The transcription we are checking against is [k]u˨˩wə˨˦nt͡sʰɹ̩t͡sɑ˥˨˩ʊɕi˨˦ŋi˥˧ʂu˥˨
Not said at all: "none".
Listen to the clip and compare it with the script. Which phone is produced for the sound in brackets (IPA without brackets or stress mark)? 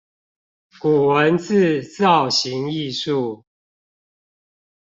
k